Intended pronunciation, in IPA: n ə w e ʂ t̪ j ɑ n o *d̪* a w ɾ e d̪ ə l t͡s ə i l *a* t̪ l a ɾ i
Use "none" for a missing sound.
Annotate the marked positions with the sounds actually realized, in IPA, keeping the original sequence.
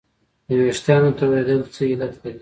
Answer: t̪, a

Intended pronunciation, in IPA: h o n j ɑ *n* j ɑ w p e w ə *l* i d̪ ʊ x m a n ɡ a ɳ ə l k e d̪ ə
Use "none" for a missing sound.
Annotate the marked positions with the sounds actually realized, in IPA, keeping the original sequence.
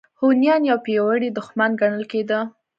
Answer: n, ɽ

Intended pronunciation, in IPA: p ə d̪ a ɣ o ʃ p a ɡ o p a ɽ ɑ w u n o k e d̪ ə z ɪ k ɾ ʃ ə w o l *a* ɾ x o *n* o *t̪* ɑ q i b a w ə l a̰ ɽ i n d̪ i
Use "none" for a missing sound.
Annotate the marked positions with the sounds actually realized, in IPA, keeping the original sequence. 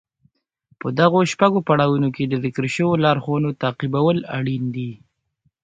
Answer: ɑ, n, t̪

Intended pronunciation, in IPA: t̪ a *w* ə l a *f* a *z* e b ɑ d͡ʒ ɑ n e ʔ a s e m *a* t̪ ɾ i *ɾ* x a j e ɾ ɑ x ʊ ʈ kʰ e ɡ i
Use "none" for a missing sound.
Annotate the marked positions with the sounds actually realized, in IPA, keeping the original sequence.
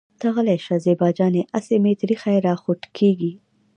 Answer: ɣ, ʃ, z, e, none

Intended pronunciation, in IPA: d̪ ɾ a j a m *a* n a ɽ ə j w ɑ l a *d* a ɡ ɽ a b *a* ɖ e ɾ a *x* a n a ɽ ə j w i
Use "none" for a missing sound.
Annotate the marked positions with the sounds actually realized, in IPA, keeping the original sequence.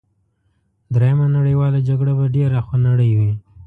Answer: a, d͡ʒ, a, x

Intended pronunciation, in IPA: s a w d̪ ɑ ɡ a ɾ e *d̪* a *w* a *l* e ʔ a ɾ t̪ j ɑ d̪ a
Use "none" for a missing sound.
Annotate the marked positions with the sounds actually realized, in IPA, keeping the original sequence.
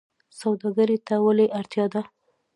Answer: t̪, w, l

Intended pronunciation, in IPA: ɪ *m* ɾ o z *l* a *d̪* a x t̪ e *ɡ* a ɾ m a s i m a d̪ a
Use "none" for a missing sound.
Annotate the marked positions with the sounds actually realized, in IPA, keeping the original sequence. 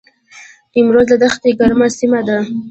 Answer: m, l, d̪, ɡ

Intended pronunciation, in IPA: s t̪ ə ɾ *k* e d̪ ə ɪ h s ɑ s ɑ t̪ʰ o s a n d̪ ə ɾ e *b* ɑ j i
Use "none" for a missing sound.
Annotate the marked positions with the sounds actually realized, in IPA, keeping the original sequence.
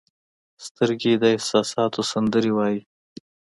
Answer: ɡ, w

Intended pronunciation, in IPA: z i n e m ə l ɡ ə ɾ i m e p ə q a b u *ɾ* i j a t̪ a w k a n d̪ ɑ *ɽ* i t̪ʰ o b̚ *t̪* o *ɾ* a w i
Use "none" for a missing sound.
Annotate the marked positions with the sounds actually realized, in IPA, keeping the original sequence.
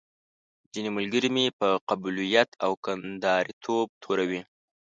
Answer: l, ɾ, t̪ʰ, ɾ

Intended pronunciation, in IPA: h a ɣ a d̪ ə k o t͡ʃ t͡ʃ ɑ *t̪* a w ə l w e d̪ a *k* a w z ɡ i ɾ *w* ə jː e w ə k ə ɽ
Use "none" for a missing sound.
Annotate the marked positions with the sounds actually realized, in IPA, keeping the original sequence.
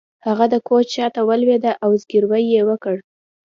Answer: t̪, ʔ, w

